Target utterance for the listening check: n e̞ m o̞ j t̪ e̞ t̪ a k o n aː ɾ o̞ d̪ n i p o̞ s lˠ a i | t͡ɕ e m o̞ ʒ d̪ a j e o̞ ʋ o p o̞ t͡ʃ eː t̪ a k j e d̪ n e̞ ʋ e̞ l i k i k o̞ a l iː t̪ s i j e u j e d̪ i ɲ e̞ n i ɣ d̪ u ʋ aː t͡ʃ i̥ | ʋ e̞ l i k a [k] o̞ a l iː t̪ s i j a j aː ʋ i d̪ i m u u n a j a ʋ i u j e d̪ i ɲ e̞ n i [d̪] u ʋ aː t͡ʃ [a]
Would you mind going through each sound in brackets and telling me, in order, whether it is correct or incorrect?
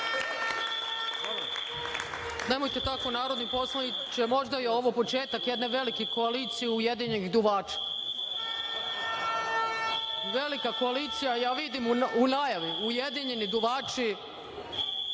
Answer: correct, correct, incorrect: i

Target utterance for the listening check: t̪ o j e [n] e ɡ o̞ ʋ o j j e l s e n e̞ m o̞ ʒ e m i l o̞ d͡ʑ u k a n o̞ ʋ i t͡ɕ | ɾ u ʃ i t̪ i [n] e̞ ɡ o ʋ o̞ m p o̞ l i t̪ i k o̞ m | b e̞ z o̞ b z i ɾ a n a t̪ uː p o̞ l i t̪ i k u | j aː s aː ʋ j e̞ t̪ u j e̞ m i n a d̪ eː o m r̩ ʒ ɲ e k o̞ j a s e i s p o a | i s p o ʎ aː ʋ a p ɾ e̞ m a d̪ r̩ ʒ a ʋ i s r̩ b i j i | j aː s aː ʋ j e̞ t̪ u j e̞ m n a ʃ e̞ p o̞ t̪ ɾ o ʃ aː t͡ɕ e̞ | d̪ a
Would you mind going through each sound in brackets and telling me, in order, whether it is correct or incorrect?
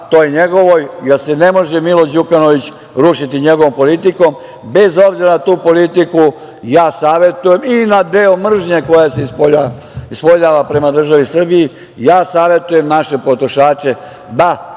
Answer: incorrect: ɲ, incorrect: ɲ

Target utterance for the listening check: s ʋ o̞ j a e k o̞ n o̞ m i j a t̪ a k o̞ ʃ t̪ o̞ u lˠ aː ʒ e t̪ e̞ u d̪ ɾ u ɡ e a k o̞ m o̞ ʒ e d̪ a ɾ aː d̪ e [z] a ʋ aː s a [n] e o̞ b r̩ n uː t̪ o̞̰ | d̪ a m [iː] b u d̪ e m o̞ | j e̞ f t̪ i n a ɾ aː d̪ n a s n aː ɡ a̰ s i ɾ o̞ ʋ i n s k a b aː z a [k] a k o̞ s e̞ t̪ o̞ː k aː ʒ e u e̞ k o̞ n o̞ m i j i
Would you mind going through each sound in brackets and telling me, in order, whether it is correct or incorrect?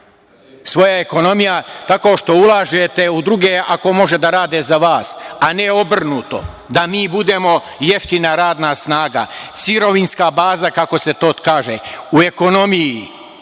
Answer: correct, correct, correct, correct

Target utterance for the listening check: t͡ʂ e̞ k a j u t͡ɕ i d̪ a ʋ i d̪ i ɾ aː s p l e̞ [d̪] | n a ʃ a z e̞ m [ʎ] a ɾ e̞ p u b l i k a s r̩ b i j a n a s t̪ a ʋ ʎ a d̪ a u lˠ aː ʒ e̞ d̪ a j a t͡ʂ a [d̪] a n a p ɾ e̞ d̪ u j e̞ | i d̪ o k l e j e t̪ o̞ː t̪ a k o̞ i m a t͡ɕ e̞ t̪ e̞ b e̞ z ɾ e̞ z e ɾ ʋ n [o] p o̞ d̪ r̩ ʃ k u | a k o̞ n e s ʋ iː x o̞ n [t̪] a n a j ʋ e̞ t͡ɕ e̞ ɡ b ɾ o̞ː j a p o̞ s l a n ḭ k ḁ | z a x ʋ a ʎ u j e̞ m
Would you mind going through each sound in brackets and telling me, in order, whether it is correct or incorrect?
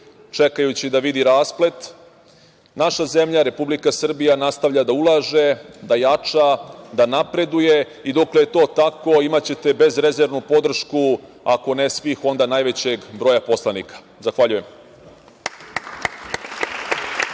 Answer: incorrect: t̪, correct, correct, incorrect: u, incorrect: d̪

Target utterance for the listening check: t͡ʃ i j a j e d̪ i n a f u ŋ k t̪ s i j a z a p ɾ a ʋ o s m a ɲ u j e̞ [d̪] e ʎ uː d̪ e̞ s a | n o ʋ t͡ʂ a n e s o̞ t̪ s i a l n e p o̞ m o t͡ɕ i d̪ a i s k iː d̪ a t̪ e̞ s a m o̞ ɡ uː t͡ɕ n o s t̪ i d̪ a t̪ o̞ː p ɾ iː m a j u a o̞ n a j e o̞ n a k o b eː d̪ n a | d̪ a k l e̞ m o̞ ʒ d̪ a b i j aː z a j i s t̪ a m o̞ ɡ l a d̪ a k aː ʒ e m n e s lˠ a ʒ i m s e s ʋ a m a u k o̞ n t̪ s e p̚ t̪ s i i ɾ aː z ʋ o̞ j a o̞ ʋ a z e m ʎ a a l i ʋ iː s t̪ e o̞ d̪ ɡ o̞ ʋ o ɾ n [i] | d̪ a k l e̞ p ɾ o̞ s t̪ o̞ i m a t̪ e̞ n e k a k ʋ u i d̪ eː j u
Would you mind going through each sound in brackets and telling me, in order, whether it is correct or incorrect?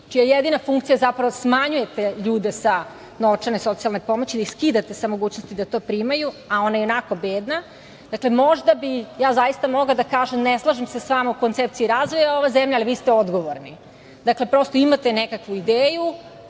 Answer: incorrect: t̪, correct

